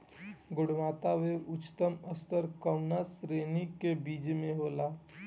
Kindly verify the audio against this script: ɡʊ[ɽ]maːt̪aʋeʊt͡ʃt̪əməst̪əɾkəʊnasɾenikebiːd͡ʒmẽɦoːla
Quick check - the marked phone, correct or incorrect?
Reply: correct